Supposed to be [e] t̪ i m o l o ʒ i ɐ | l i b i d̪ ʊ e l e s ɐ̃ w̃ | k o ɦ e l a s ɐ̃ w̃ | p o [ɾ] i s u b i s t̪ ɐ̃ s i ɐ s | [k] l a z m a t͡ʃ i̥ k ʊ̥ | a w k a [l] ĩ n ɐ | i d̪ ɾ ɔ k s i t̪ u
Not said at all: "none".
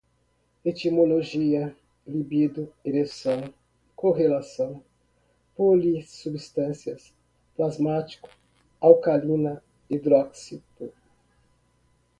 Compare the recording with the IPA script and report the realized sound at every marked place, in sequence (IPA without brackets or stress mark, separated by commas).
e, l, p, l